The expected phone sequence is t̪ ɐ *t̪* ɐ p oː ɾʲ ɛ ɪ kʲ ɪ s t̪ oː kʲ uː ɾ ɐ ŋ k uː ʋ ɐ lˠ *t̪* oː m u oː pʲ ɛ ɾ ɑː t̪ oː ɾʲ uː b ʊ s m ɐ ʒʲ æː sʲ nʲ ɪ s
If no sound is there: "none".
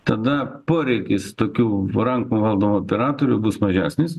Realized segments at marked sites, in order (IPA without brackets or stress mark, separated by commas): d̪, d̪